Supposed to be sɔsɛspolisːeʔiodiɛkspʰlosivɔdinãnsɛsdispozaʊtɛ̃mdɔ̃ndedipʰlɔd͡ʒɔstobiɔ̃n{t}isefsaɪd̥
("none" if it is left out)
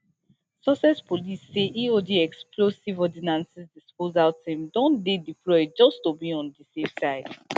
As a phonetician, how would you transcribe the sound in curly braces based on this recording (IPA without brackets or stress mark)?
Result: d